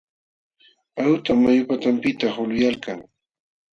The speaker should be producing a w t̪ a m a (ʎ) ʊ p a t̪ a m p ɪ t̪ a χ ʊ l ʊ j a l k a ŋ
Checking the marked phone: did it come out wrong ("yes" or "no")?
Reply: yes